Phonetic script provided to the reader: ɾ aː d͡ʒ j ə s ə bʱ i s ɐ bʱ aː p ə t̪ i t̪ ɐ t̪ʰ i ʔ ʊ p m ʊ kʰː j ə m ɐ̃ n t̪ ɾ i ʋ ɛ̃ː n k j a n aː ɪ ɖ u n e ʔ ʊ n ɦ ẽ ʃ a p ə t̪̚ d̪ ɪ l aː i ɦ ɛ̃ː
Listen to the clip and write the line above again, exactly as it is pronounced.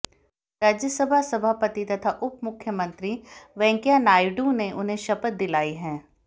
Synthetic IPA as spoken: ɾ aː d͡ʒ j ə s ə bʱ a s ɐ bʱ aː p ə t̪ i t̪ ɐ t̪ʰ a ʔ ʊ p m ʊ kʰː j ə m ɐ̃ n t̪ ɾ i ʋ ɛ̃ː ŋ k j a n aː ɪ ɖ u n e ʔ ʊ n ɦ ẽ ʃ ɐ p ə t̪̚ d̪ ɪ l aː i ɦ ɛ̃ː